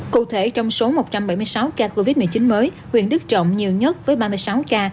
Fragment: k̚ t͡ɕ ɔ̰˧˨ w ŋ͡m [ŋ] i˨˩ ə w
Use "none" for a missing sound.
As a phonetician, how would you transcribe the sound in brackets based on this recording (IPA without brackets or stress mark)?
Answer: ɲ